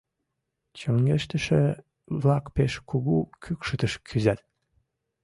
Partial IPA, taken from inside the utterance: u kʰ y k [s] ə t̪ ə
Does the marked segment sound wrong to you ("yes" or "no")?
yes